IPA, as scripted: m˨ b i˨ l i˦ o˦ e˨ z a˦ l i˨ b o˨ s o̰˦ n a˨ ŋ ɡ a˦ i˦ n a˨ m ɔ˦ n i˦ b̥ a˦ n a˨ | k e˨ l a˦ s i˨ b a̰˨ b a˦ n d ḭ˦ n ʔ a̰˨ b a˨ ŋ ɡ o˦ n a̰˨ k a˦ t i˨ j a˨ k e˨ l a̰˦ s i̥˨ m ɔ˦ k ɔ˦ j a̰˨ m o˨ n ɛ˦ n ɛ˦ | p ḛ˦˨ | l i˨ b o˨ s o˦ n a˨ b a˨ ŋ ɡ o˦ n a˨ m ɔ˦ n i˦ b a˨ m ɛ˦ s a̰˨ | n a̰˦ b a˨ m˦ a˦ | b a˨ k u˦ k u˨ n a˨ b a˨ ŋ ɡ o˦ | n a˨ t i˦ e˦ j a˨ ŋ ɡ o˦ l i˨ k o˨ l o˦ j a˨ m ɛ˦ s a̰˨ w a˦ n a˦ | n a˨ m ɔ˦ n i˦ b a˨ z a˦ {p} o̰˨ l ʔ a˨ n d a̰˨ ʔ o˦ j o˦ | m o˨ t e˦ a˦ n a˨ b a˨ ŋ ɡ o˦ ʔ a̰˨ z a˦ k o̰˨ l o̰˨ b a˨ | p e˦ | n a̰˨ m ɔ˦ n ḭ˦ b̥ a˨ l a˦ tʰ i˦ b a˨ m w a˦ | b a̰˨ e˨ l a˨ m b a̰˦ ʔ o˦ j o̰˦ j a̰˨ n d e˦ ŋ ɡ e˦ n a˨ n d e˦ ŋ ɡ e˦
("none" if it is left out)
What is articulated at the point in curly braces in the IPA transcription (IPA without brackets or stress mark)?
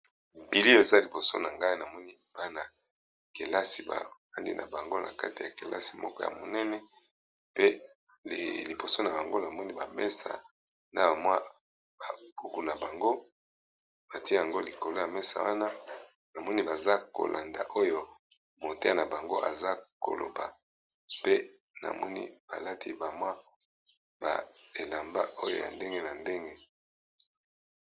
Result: k